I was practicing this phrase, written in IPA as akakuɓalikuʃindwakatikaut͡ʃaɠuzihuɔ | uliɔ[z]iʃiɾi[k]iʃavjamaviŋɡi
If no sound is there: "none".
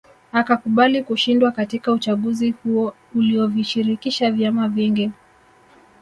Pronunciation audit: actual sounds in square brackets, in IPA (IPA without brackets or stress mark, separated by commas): v, k